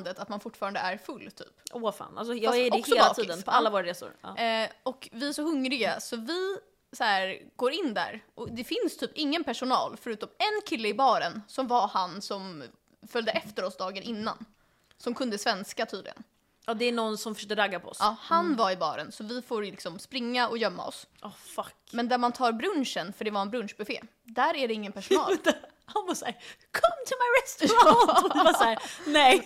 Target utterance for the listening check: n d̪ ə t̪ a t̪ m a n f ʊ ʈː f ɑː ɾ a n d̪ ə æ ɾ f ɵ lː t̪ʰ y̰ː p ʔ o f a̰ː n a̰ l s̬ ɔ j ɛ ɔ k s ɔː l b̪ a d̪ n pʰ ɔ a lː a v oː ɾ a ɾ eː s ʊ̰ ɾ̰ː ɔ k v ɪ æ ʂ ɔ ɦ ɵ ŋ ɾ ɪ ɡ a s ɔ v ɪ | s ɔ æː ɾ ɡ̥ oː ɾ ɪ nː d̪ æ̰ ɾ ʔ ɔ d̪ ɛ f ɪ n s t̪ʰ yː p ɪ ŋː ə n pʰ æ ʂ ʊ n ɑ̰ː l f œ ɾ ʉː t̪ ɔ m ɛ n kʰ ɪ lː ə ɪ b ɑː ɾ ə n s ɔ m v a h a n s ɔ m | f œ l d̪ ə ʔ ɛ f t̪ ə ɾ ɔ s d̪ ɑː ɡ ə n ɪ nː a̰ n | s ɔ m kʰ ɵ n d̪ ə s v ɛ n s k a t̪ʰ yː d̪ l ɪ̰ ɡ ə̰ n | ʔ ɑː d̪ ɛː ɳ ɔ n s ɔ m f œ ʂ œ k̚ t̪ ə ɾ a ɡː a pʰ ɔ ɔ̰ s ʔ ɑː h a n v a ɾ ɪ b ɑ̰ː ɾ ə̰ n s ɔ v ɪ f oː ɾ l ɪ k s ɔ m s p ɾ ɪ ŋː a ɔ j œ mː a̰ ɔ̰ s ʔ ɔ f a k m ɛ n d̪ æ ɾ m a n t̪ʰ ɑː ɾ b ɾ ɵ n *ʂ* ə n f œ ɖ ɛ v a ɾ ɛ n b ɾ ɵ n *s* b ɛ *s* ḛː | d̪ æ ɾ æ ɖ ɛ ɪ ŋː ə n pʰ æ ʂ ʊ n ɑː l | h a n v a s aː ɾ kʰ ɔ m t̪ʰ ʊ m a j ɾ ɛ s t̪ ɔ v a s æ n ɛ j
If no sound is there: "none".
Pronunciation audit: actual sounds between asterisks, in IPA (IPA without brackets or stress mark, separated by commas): ʂ, ʂ, f